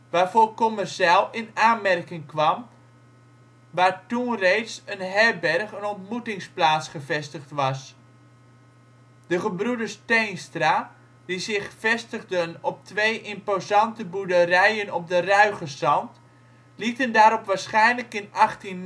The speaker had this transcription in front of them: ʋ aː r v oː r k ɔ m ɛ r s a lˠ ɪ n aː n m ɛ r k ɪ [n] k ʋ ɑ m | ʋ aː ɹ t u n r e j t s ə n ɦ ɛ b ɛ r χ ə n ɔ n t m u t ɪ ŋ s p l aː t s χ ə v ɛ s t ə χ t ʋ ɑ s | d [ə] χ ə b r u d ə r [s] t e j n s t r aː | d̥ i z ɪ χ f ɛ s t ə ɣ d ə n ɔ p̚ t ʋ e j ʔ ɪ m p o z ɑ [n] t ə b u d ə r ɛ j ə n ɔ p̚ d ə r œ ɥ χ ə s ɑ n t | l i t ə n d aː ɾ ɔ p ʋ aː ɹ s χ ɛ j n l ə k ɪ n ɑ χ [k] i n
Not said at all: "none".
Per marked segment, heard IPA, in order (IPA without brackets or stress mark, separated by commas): ŋ, ə, s, n, t